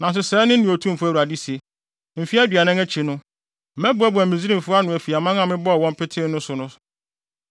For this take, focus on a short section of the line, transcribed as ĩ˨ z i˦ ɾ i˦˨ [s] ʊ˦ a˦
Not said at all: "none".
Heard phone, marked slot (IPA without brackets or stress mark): f